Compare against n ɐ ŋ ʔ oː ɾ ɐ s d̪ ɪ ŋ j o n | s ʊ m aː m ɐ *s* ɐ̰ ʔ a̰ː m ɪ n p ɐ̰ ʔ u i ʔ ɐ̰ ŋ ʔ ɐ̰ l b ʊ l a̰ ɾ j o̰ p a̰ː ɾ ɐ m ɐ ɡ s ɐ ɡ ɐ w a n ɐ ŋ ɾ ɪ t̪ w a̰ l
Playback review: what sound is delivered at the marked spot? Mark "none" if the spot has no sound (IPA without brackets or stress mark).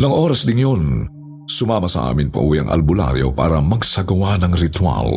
s